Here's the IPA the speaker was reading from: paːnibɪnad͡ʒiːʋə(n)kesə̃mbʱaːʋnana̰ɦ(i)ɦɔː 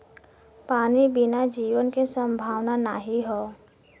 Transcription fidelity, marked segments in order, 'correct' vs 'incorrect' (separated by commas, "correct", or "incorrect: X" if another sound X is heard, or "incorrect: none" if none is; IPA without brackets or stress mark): correct, correct